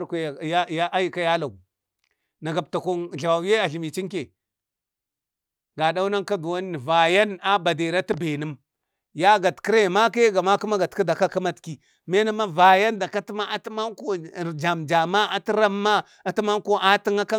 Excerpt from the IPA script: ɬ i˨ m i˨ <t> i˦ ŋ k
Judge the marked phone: incorrect: t͡ʃ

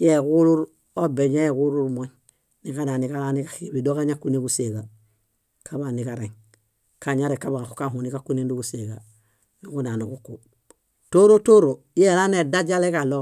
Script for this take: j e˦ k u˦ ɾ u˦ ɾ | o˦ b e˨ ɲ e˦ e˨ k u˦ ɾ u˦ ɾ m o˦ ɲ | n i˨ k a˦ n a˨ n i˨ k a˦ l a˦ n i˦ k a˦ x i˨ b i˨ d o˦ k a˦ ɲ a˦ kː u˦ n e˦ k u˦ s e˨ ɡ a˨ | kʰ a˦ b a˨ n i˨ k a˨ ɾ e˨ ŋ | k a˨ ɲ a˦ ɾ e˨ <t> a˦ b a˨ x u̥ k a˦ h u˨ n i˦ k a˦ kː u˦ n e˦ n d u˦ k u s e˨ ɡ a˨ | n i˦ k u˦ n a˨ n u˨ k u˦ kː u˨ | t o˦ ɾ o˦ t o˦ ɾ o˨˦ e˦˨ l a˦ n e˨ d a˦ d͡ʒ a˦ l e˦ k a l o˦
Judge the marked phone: incorrect: k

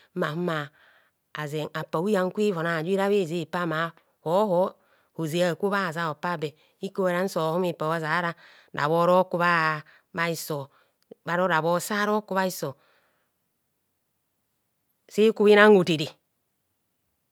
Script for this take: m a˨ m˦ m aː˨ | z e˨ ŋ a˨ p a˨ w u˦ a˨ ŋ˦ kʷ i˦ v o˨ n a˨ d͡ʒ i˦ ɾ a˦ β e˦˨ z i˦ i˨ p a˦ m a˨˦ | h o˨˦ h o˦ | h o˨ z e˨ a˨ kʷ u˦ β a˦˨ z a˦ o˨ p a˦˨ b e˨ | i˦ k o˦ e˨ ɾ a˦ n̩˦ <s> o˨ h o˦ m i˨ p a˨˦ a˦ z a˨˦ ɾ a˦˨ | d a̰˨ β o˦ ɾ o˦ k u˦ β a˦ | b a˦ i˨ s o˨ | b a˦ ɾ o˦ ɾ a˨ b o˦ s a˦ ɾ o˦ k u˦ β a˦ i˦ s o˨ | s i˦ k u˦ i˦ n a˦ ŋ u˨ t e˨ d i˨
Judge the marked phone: correct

